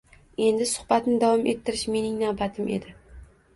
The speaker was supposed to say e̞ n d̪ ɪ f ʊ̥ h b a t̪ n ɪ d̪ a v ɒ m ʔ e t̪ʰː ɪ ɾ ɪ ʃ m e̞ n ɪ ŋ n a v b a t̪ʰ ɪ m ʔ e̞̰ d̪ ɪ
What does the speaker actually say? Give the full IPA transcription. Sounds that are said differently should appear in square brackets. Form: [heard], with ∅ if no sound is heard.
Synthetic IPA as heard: e̞ n d̪ ɪ [s] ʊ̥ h b a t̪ n ɪ d̪ a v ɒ m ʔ e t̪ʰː ɪ ɾ ɪ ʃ m e̞ n ɪ ŋ n a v b a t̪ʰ ɪ m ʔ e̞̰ d̪ ɪ